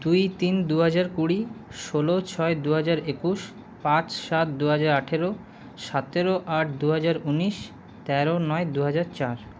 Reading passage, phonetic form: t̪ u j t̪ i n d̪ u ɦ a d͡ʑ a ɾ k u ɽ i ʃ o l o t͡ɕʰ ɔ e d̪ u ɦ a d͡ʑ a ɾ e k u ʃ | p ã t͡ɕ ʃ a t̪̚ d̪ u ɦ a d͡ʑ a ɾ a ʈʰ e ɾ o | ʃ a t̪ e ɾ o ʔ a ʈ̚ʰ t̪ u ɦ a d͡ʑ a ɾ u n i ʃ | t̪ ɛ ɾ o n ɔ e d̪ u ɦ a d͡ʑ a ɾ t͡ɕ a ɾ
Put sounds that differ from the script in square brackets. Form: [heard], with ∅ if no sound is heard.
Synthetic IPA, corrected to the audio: [d̪] u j t̪ i n d̪ u ɦ a d͡ʑ a ɾ k u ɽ i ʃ o l o t͡ɕʰ ɔ e d̪ u ɦ a d͡ʑ a ɾ e k u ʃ | p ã t͡ɕ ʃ a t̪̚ d̪ u ɦ a d͡ʑ a ɾ a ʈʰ e ɾ o | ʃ a t̪ e ɾ o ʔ a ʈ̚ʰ [d̪] u ɦ a d͡ʑ a ɾ u n i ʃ | t̪ ɛ ɾ o n ɔ e d̪ u ɦ a d͡ʑ a ɾ t͡ɕ a ɾ